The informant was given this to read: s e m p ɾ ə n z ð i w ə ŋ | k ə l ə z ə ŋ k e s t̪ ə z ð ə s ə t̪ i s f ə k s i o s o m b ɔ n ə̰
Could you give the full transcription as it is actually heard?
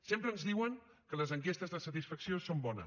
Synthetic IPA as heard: s e m p ɾ ə n z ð i w ə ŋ | k ə l ə z ə ŋ k e s t̪ ə z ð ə s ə t̪ i s f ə k s i o s o m b ɔ n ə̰